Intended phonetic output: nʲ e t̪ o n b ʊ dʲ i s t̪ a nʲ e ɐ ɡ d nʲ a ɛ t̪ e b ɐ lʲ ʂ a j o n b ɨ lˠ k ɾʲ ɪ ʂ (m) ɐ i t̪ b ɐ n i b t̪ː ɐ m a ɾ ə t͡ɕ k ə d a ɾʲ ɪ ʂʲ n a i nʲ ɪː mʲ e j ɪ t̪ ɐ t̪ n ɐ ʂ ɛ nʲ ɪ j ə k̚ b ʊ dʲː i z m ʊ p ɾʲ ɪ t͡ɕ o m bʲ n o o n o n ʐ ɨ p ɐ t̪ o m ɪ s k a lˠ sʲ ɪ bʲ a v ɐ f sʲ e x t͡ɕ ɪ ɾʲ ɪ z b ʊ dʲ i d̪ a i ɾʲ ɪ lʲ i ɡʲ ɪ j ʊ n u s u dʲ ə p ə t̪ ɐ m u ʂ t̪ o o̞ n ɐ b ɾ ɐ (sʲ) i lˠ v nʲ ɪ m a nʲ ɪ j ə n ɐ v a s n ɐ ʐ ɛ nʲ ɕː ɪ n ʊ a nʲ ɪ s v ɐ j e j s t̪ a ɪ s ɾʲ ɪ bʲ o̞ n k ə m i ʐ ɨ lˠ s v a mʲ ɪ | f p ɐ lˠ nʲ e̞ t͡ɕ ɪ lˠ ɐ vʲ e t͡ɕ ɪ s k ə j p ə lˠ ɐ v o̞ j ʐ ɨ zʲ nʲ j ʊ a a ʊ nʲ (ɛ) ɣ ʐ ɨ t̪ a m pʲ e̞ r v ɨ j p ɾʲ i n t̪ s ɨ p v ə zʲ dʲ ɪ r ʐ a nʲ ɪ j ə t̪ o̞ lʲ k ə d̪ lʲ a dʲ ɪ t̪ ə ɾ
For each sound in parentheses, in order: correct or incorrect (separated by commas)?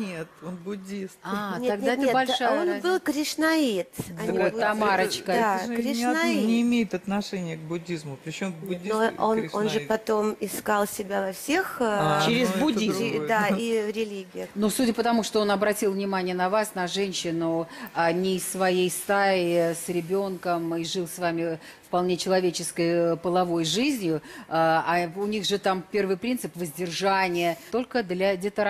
incorrect, incorrect, incorrect